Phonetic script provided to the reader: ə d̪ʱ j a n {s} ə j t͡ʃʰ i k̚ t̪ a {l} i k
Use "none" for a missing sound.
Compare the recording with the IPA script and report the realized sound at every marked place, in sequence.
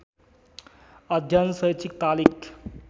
s, l

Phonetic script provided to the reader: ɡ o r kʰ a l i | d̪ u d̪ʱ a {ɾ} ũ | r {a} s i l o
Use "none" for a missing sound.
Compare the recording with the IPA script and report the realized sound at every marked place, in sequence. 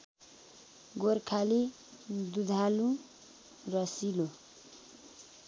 l, ʌ

